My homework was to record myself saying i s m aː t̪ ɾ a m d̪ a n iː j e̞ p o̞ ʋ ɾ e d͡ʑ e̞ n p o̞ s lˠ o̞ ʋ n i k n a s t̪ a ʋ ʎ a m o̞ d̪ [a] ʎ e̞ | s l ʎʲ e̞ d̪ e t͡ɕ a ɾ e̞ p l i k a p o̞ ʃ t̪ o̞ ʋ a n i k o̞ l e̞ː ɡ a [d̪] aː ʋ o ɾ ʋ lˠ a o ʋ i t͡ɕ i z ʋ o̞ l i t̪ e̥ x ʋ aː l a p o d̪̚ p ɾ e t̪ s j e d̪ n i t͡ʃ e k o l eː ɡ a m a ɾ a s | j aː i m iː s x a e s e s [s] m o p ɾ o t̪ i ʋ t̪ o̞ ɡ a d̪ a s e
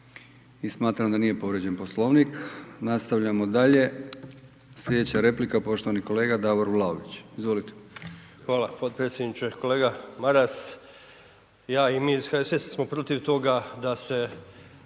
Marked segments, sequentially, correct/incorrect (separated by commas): correct, correct, correct